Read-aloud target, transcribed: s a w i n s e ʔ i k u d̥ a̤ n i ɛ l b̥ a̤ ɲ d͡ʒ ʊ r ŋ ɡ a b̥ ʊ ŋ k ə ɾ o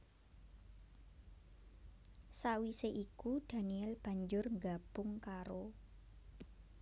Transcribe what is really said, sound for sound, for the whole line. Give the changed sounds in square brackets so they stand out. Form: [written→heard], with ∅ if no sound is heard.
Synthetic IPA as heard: s a w i [n→∅] s e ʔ i k u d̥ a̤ n i ɛ l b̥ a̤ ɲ d͡ʒ ʊ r ŋ ɡ a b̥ ʊ ŋ k [ə→a] ɾ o